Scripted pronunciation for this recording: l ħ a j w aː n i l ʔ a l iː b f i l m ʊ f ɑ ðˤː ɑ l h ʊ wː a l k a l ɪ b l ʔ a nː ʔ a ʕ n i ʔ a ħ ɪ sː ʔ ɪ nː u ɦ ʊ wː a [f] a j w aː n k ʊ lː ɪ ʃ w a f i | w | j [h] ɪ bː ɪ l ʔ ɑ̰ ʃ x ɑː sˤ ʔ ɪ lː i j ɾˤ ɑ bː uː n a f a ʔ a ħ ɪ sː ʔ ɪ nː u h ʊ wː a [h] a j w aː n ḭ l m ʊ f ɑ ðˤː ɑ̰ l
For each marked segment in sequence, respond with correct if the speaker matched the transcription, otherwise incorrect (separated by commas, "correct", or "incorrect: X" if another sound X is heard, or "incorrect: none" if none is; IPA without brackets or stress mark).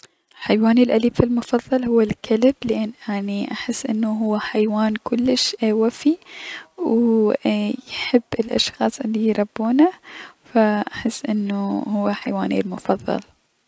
incorrect: ħ, incorrect: ħ, incorrect: ħ